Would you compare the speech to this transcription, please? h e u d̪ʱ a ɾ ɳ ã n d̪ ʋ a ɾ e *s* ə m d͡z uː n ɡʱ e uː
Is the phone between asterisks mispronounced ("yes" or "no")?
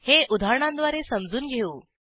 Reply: no